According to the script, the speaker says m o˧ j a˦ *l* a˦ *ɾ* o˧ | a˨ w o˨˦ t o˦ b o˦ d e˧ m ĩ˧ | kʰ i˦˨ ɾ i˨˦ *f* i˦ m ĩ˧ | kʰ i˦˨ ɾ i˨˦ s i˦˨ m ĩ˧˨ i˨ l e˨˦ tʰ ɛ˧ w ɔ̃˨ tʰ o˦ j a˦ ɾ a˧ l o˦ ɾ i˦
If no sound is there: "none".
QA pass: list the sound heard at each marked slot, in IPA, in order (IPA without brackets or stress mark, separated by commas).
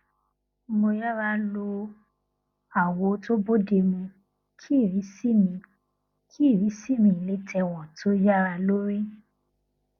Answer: ɾ, l, s